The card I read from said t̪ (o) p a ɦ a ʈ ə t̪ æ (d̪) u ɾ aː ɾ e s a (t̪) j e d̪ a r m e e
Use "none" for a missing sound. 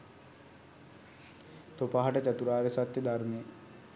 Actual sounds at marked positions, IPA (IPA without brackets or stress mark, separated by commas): o, t̪, t̪